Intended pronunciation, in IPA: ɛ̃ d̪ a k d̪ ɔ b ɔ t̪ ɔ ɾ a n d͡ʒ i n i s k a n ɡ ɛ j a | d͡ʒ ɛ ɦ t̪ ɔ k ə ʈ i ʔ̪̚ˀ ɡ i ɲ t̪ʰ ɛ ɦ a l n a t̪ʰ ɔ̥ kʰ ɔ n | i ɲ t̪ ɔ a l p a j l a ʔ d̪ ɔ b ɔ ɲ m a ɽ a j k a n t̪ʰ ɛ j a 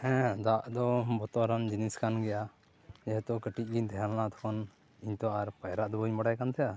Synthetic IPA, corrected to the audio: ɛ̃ d̪ a ʔ d̪ ɔ b ɔ t̪ ɔ ɾ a n d͡ʒ i n i s k a n ɡ ɛ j a | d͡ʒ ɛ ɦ t̪ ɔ k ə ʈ i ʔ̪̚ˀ ɡ i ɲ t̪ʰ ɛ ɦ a l n a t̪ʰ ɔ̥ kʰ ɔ n | i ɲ t̪ ɔ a ɾ p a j ɾ a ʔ d̪ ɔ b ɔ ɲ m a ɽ a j k a n t̪ʰ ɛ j a